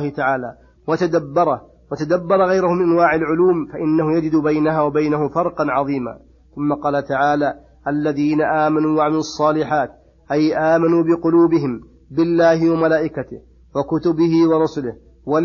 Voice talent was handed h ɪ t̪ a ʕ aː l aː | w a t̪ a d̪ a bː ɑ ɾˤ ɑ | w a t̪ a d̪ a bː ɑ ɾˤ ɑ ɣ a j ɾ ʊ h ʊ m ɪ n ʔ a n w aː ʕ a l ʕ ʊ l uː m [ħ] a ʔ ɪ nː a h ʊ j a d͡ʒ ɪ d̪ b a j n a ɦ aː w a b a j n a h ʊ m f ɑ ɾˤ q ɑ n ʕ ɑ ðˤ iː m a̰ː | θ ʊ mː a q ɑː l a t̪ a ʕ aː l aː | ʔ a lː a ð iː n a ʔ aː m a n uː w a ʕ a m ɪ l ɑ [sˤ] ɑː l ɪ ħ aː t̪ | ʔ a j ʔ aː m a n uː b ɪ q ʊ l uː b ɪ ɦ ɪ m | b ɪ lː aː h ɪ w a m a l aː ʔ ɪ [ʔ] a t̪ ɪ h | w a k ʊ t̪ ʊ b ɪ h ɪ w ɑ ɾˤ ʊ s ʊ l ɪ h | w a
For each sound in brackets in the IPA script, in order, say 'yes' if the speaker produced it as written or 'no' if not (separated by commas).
no, no, no